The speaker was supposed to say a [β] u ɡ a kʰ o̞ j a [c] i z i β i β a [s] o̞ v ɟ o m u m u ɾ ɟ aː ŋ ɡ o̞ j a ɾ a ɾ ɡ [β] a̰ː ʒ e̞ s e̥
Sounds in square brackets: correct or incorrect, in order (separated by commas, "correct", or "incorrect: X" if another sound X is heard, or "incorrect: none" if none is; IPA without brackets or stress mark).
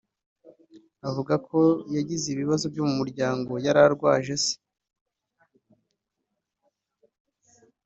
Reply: incorrect: v, incorrect: ɟ, incorrect: z, incorrect: w